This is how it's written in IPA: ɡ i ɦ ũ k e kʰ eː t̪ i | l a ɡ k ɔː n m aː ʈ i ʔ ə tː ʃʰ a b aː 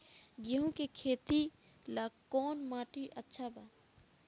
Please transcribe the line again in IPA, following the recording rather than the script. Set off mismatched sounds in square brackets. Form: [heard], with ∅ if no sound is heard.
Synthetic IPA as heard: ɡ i ɦ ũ k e kʰ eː t̪ i | l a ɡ k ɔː n m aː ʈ i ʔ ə tː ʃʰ a b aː